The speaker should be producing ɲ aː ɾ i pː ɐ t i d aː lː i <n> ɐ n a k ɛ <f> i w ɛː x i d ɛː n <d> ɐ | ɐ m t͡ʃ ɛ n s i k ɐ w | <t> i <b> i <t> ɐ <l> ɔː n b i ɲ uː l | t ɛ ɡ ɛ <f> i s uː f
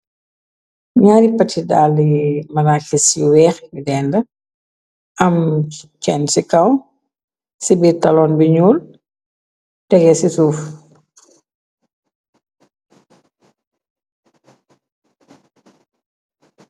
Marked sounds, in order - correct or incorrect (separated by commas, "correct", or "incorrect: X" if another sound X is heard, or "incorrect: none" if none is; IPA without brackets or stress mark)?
incorrect: m, incorrect: s, correct, incorrect: s, correct, correct, correct, incorrect: s